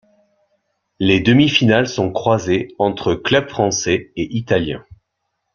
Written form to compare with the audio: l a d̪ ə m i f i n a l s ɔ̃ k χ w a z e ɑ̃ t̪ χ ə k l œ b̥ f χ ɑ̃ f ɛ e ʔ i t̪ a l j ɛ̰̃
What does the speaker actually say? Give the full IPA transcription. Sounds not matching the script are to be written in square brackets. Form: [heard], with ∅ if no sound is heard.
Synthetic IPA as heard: l [e] d̪ ə m i f i n a l s ɔ̃ k χ w a z e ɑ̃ t̪ χ ə k l œ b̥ f χ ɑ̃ [s] ɛ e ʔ i t̪ a l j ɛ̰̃